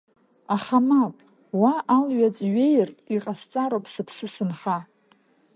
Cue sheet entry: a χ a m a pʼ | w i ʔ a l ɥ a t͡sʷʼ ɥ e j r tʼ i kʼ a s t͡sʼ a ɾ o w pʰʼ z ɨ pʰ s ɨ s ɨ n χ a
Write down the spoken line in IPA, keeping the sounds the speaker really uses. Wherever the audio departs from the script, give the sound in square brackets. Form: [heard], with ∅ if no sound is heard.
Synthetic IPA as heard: a χ a m a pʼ | w [a] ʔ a l ɥ a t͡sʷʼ ɥ e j r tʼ i [qʼ] a s t͡sʼ a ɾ o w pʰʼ [s] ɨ pʰ s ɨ s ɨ n χ a